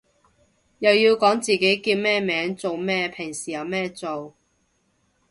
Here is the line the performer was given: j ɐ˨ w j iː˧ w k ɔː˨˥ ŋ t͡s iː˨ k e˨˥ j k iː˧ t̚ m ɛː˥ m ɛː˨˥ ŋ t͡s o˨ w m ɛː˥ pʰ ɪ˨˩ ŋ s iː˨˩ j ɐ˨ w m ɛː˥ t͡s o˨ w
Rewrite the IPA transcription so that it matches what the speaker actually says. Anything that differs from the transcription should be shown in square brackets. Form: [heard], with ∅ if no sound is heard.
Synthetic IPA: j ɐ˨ w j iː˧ w k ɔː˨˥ ŋ t͡s iː˨ k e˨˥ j k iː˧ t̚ m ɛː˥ m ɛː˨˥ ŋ t͡s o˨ w m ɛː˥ pʰ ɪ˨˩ ŋ s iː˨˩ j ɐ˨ w m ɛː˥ t͡s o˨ w